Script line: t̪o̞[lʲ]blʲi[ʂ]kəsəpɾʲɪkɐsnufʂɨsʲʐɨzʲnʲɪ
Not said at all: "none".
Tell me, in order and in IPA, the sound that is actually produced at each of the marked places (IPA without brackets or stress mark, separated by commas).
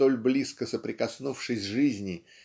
lʲ, s